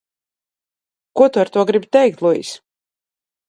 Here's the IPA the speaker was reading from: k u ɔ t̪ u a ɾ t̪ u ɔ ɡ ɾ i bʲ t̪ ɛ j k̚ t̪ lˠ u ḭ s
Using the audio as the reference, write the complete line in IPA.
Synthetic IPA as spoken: k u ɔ t̪ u a ɾ t̪ u ɔ ɡ ɾ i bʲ t̪ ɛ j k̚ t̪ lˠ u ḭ s

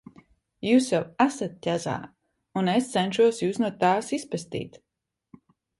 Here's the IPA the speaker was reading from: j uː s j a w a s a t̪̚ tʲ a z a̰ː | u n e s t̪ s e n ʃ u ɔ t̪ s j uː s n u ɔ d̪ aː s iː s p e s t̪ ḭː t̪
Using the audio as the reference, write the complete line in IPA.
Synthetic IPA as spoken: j uː s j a w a s a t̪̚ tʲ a z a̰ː | u n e s t̪ s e n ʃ u ɔ s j uː s n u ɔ t̪ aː s i s p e s t̪ ḭː t̪

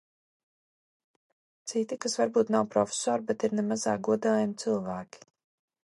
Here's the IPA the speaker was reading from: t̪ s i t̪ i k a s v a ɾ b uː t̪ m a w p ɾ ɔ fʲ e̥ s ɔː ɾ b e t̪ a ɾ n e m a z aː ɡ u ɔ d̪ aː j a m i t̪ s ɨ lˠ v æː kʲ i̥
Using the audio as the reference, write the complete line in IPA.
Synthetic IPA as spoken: t̪ s i t̪ i k a s v a ɾ b uː t̪ n a w p ɾ ɔ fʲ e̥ s ɔː ɾ b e t̪ i ɾ n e m a z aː ɡ u ɔ d̪ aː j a m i t̪ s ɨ lˠ v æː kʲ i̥

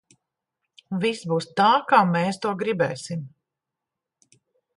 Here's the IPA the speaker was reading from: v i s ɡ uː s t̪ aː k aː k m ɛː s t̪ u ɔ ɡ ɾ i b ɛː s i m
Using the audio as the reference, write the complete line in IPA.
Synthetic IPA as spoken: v i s b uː s t̪ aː k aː m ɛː s t̪ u ɔ ɡ ɾ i b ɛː s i m

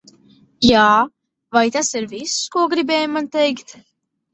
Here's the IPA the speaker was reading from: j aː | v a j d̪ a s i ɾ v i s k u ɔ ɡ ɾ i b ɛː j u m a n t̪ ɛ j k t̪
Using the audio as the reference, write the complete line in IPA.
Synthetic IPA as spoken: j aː | v a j t̪ a s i ɾ v i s k u ɔ ɡ ɾ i b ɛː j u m a n t̪ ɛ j k t̪

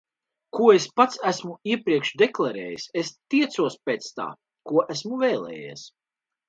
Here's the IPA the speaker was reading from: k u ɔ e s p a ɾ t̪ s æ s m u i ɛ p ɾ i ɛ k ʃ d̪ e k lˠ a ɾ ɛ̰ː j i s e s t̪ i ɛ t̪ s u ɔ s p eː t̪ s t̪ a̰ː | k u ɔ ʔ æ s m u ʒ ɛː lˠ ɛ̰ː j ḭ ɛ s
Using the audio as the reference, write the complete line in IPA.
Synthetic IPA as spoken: k u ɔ e s p a t̪ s æ s m u i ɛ p ɾ i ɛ k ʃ d̪ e k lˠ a ɾ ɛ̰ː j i s e s t̪ i ɛ t̪ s u ɔ s p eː t̪ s t̪ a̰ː | k u ɔ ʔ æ s m u v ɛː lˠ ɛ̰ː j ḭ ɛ s

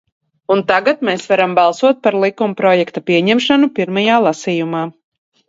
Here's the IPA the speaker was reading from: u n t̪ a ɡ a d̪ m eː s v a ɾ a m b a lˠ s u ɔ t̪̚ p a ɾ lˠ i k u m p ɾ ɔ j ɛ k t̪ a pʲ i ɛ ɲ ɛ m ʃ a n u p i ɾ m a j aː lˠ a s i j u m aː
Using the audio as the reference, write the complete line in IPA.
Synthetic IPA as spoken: u n t̪ a ɡ a t̪ m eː s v a ɾ a m b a lˠ s u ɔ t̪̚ p a ɾ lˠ i k u m p ɾ ɔ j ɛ k t̪ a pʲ i ɛ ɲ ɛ m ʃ a n u p i ɾ m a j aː lˠ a s i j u m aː

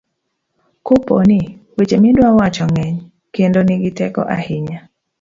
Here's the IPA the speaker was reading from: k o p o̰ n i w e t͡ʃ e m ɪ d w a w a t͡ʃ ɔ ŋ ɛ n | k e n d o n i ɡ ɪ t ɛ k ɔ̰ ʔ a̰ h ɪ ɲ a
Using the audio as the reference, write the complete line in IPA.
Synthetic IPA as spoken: k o p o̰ n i w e t͡ʃ e m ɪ d w a w a t͡ʃ ɔ ŋ ɛ ɲ | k e n d o n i ɡ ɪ t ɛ k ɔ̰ ʔ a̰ h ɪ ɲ a

